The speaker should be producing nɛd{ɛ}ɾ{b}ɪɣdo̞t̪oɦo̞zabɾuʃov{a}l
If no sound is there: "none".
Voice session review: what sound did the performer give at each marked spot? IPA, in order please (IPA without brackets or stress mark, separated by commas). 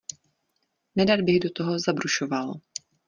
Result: a, b, a